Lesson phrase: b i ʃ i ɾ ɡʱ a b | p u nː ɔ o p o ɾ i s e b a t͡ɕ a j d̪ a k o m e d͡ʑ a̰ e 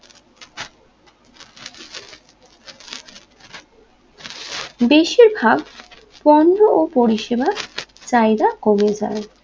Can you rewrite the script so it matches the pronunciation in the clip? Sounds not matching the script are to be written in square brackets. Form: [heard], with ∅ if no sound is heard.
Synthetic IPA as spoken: b [e] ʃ i ɾ [bʱ] a b | p [ɔ] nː [o] o p o ɾ i [ʃ] e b a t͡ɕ a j d̪ a k o m e d͡ʑ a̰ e